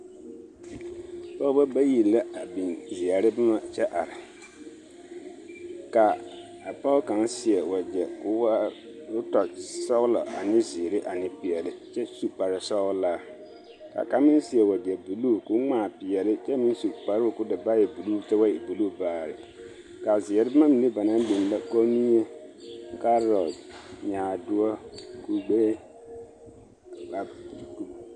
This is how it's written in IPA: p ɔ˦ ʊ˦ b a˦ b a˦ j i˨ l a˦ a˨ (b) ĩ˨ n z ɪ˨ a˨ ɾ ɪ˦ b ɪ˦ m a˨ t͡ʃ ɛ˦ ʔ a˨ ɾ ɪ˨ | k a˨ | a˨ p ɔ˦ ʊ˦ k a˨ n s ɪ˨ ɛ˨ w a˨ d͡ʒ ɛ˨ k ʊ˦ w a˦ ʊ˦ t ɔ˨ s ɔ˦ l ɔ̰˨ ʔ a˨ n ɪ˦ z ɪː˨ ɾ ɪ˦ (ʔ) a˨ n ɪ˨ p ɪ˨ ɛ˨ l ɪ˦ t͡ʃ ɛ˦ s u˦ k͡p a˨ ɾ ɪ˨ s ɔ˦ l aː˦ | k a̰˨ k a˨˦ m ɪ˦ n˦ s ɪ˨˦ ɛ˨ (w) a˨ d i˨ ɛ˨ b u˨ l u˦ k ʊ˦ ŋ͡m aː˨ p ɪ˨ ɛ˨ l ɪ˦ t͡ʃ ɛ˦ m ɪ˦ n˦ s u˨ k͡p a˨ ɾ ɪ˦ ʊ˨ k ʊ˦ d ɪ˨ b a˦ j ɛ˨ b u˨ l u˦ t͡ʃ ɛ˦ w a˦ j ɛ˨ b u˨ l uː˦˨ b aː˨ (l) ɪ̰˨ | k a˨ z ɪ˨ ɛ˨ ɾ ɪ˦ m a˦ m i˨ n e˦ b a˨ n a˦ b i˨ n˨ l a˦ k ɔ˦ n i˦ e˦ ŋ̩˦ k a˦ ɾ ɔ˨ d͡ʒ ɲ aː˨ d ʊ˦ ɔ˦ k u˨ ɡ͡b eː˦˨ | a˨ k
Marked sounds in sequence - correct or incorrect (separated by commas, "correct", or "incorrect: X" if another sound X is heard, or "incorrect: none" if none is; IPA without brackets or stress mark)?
correct, correct, correct, incorrect: ɾ